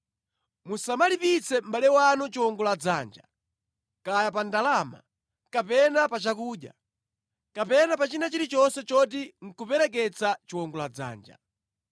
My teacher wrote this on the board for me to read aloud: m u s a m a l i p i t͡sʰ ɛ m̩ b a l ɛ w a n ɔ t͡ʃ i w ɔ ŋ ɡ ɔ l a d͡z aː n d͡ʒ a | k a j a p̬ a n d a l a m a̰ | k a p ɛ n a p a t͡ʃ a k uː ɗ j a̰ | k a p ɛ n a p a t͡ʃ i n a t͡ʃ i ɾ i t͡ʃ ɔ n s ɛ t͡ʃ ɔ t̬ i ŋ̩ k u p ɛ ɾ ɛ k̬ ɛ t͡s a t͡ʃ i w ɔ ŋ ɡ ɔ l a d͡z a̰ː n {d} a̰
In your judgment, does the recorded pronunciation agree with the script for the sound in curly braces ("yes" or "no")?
no